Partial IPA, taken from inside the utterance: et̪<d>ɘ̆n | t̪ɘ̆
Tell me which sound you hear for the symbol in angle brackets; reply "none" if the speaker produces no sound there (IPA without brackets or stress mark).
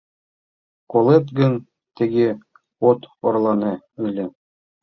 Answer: ɡ